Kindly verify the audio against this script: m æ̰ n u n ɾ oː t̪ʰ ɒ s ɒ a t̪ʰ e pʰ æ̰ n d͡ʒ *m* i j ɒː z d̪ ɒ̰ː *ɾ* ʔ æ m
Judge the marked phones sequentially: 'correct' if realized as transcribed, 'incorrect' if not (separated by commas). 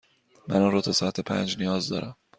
incorrect, correct